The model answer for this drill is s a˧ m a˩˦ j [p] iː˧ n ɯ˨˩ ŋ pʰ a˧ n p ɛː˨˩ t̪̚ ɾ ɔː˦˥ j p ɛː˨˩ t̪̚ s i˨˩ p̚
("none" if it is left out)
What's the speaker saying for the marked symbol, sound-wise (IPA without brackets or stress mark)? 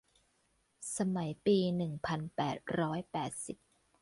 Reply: p